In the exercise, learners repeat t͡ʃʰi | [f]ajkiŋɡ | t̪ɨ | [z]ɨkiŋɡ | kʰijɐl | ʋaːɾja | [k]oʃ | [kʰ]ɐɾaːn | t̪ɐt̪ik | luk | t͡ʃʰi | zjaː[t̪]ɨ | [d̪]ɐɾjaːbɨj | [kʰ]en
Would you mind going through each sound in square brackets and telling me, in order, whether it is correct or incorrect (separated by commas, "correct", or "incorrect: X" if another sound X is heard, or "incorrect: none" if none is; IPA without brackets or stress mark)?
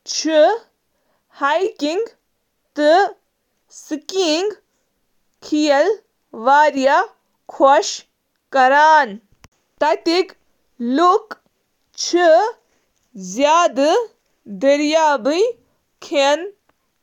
incorrect: h, incorrect: s, incorrect: kʰ, incorrect: k, incorrect: d̪, correct, correct